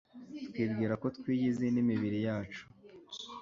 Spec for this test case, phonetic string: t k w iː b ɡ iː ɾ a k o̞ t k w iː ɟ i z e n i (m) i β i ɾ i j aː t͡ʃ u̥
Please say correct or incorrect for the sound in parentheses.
correct